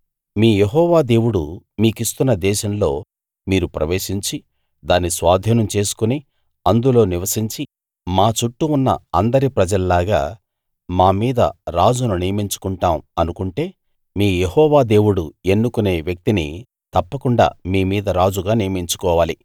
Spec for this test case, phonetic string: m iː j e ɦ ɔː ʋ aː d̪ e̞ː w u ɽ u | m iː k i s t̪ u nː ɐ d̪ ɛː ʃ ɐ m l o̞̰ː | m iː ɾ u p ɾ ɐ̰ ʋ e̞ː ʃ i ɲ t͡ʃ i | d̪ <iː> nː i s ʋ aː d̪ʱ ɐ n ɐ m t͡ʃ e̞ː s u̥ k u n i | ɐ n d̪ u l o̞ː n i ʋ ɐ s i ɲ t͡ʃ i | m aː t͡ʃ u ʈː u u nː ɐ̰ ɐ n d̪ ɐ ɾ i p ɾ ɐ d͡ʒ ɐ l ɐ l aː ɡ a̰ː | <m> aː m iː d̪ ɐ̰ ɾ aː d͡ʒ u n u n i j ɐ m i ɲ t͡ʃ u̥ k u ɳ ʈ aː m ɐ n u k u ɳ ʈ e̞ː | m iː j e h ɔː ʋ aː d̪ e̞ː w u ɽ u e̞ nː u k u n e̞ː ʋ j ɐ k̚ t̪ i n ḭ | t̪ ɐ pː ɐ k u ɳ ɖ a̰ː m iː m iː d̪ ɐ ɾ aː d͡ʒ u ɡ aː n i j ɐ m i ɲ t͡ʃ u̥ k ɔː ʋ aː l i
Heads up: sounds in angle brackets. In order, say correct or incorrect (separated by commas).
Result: incorrect, correct